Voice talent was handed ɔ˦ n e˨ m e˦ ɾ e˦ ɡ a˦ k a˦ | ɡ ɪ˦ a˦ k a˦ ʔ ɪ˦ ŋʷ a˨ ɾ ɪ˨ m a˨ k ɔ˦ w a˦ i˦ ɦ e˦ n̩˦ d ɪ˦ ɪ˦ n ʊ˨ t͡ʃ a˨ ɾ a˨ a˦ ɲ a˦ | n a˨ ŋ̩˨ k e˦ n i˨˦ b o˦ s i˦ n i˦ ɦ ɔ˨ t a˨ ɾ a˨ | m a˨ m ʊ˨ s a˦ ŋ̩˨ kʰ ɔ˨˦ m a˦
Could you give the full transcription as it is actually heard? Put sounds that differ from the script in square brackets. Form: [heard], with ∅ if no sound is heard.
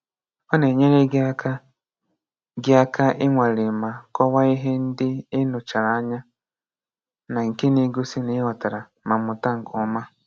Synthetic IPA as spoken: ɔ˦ n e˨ [ɲ] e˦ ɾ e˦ ɡ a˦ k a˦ | ɡ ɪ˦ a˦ k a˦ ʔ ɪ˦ ŋʷ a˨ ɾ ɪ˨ m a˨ k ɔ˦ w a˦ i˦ ɦ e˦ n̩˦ d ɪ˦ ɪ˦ n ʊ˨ t͡ʃ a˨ ɾ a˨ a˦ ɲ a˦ | n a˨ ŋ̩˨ k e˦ n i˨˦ [ɡ] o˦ s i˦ n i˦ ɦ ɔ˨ t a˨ ɾ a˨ | m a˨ m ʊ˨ [t] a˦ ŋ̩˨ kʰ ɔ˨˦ m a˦